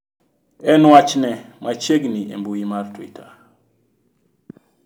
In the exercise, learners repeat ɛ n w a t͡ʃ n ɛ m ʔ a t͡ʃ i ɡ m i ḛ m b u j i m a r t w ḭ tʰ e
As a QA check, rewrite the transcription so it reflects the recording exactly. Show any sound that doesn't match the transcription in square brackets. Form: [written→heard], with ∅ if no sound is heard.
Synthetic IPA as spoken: ɛ n w a t͡ʃ n ɛ m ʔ a t͡ʃ [i→e] ɡ [m→n] i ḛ m b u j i m a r t w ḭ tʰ [e→a]